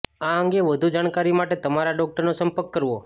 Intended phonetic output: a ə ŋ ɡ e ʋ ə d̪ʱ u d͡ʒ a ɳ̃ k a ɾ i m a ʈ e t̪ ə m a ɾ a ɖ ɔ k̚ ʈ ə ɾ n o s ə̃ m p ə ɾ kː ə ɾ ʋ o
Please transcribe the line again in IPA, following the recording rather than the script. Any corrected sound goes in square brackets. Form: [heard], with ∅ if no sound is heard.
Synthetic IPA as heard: a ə ŋ ɡ e ʋ ə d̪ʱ u d͡ʒ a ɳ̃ k a ɾ i m a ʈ e t̪ ə m a ɾ a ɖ ɔ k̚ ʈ ə ɾ n o s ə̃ m p ə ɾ kː ə ɾ ʋ o